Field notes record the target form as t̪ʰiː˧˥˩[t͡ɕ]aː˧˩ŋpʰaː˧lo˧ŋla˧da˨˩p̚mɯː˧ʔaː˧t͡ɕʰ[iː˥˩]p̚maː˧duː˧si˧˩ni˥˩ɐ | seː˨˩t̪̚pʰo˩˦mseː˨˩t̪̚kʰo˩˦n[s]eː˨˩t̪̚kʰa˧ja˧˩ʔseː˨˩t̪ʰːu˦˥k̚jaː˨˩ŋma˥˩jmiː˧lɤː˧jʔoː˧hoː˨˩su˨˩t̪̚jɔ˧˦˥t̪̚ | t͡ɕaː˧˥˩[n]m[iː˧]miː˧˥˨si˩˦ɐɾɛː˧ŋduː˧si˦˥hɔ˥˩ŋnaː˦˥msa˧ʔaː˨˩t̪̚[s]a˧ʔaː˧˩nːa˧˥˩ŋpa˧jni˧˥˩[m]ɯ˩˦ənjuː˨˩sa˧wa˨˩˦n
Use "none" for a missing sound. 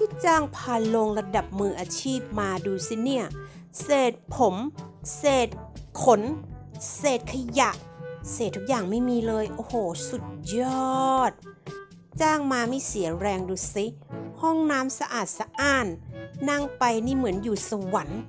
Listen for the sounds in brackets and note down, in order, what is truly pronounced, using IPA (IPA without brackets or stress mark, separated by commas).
t͡ɕ, iː˥˩, s, ŋ, aː˧, s, m